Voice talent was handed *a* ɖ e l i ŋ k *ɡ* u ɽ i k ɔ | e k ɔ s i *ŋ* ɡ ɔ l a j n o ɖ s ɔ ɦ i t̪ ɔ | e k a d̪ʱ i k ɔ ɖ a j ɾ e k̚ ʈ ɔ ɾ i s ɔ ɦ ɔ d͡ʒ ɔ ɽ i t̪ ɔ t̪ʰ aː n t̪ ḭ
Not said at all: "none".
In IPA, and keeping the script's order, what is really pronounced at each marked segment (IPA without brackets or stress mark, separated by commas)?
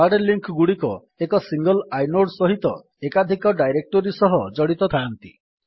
a, ɡ, ŋ